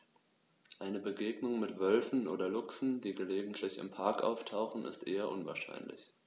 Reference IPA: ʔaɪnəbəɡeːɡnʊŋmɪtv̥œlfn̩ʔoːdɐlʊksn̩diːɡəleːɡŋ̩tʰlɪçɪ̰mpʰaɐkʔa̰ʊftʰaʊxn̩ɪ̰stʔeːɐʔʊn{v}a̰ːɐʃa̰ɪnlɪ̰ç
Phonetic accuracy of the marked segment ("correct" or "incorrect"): correct